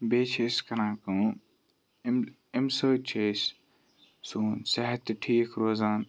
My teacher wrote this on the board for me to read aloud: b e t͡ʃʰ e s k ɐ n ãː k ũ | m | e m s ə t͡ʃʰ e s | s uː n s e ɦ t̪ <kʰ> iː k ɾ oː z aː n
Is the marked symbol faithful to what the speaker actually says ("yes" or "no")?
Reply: no